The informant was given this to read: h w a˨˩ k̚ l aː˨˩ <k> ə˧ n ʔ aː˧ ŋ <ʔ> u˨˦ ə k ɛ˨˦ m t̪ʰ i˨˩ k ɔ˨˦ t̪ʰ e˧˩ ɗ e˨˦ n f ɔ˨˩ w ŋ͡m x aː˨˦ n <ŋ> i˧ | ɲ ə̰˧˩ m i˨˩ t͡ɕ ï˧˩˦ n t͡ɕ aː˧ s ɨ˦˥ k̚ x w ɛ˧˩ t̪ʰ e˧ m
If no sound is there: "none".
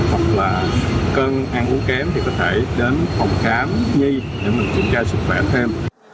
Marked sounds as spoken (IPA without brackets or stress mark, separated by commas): k, ʔ, ɲ